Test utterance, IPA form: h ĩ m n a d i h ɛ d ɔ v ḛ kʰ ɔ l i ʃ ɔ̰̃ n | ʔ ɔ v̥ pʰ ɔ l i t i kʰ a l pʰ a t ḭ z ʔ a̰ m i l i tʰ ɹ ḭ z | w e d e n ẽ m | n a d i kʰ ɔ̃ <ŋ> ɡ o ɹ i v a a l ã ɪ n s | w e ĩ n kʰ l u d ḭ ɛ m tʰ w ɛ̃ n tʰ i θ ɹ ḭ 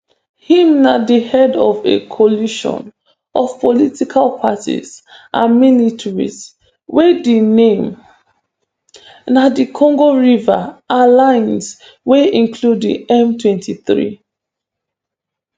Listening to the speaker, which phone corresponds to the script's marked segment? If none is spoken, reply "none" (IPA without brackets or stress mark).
ŋ